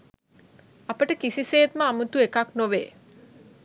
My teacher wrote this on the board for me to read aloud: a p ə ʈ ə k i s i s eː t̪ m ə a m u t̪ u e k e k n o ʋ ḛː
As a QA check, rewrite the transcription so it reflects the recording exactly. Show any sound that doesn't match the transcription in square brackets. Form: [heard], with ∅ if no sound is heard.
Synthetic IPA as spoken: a p ə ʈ ə k i s i s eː t̪ m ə a m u t̪ u e k [a] k n o ʋ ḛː